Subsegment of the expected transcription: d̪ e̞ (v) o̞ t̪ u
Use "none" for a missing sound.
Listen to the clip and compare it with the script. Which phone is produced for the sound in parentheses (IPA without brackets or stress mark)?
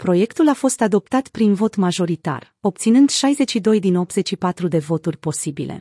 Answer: v